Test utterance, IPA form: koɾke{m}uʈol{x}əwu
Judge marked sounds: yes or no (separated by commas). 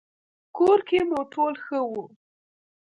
yes, yes